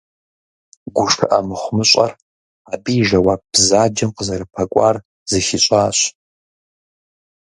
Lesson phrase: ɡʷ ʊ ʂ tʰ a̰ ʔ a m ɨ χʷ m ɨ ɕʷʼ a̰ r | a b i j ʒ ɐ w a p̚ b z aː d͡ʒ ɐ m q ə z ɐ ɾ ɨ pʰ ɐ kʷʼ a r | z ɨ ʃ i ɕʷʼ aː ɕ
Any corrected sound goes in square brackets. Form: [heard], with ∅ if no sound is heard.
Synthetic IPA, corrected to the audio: ɡʷ ʊ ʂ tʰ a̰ ʔ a m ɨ χʷ m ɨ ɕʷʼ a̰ r | a b i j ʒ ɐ w a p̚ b z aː d͡ʒ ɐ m q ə z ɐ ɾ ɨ pʰ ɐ kʷʼ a r | z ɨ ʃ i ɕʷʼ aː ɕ